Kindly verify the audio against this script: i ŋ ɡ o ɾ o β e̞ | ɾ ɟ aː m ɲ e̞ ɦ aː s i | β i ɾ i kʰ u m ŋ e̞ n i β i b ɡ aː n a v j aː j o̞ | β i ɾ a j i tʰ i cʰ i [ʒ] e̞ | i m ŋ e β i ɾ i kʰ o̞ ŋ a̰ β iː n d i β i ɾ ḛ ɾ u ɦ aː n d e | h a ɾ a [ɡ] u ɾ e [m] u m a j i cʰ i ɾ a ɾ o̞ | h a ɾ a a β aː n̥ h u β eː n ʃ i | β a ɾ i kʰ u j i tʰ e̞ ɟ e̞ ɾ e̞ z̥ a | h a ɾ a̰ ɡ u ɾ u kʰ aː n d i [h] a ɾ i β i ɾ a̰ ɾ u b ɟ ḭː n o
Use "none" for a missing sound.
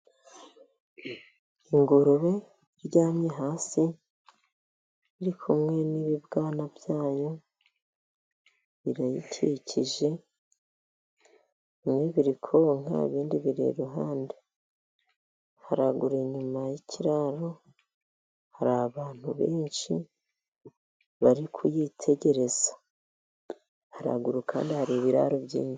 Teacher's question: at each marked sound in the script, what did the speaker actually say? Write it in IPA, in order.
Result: ʒ, ɡ, ɲ, h

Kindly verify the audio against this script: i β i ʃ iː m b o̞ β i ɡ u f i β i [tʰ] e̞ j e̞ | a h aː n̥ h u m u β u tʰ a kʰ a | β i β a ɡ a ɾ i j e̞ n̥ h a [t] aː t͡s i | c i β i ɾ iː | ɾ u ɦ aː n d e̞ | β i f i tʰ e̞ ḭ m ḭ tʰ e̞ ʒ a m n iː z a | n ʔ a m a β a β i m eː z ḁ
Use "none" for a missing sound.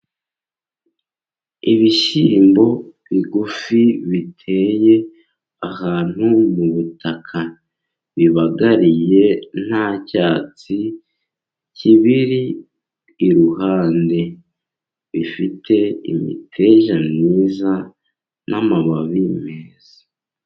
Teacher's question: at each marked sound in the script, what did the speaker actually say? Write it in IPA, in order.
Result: tʰ, c

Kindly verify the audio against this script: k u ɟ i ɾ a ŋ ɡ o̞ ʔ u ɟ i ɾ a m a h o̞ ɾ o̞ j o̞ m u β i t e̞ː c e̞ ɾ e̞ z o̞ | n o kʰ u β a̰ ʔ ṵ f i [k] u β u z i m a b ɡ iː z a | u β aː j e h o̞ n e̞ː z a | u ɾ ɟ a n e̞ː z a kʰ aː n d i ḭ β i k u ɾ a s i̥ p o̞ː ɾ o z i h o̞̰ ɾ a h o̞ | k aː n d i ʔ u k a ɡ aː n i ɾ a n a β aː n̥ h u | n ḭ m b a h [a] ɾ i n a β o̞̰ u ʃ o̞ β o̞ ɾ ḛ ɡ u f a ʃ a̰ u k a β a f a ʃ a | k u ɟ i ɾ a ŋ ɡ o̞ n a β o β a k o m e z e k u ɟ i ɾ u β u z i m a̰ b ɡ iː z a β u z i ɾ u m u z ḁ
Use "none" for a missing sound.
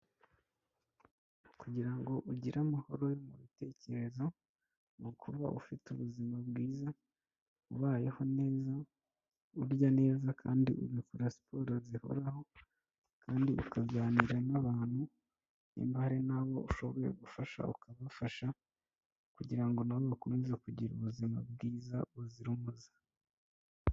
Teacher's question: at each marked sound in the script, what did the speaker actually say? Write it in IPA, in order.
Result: t, a

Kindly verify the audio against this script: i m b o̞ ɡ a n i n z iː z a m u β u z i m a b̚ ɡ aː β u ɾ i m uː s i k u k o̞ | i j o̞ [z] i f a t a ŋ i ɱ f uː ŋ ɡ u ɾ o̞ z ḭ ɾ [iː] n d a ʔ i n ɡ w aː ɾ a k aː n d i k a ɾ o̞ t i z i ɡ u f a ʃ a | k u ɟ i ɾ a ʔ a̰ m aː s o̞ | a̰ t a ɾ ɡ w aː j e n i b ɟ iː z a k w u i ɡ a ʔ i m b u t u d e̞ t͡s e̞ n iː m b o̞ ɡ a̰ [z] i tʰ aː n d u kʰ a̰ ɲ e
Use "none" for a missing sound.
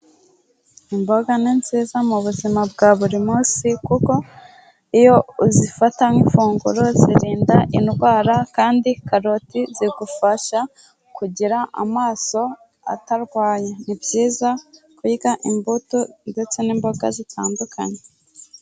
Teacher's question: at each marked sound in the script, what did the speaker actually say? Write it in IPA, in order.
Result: z, iː, z

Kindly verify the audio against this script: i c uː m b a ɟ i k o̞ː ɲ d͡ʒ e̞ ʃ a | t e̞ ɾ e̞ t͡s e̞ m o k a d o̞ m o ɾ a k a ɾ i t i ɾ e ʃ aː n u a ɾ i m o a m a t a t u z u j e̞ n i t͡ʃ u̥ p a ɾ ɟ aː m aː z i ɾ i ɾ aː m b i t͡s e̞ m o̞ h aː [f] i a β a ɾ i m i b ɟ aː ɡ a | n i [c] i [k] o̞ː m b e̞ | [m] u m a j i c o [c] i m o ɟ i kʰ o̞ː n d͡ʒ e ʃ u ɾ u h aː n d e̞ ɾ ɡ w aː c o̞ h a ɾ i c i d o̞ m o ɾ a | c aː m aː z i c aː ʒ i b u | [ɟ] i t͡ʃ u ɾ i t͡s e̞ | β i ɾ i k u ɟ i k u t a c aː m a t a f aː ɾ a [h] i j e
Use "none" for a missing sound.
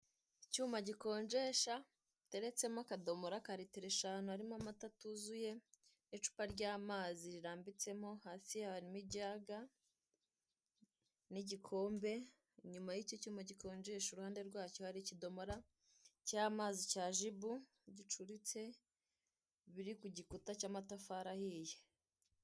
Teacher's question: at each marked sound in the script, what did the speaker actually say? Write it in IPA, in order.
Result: s, ɟ, kʰ, ɲ, c, ɟ, h

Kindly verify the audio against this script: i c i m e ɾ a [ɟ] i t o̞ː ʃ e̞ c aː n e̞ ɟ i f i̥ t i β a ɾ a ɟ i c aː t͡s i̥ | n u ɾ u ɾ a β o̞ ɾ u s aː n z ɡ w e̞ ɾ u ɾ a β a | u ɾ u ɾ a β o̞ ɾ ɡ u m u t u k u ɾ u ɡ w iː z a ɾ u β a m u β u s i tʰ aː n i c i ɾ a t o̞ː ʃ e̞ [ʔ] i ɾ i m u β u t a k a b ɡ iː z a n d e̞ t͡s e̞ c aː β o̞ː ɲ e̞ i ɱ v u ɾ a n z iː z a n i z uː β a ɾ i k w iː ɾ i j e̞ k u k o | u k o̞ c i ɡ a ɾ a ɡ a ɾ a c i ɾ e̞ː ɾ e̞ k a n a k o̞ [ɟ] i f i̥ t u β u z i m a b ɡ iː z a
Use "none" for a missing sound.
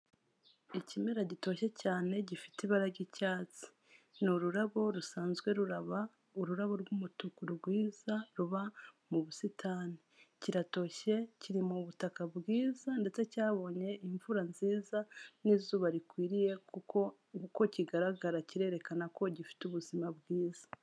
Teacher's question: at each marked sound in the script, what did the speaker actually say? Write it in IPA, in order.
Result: ɟ, c, ɟ

